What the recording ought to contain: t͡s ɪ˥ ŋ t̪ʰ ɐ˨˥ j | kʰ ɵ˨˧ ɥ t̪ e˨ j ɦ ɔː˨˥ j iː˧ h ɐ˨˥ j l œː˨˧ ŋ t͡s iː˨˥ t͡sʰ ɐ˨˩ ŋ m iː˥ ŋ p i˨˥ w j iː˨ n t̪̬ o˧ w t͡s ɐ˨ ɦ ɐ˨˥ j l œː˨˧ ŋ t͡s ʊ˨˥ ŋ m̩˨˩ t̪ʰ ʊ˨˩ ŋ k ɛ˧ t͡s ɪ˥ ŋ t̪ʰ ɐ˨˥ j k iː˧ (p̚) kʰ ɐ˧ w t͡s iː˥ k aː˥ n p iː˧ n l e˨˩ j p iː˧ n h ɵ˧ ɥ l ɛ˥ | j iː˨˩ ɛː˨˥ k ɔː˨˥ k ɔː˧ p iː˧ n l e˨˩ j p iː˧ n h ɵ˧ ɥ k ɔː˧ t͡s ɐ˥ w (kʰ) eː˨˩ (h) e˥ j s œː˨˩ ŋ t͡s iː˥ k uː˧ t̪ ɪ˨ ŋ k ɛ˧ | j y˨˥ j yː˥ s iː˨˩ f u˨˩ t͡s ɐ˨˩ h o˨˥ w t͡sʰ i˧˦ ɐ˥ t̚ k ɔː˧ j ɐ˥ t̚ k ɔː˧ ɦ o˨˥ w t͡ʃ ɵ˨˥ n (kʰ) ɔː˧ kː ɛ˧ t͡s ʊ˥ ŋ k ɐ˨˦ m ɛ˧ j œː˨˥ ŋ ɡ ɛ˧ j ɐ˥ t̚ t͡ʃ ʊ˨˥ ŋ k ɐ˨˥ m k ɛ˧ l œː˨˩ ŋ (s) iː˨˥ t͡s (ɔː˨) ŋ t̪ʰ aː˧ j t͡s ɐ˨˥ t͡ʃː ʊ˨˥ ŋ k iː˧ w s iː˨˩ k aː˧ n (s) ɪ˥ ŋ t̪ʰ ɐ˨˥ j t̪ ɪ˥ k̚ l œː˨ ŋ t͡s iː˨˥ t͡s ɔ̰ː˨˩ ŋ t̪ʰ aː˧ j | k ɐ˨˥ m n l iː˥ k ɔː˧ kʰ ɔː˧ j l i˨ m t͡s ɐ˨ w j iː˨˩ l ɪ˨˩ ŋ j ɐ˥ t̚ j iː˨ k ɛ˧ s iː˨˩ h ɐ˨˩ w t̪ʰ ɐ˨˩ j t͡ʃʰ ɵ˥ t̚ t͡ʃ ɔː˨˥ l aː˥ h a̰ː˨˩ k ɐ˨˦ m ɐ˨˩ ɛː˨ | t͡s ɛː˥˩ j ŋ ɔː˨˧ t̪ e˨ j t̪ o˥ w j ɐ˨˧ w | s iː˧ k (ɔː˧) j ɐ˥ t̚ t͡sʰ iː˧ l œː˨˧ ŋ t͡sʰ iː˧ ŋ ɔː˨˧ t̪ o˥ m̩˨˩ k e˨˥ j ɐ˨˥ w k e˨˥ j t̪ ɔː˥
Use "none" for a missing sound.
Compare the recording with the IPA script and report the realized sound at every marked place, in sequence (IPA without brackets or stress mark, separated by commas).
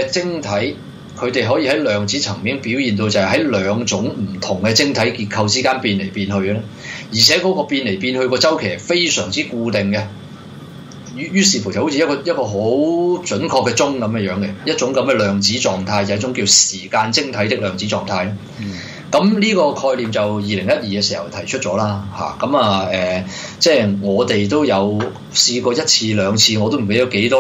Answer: t̚, kʰ, f, kʰ, t͡s, ɔː˨, t͡s, ɔː˧